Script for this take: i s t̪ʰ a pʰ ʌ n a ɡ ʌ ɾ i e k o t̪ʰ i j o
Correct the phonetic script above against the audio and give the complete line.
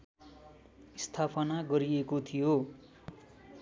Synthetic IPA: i s t̪ʰ a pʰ ʌ n a ɡ ʌ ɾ i e k o t̪ʰ i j o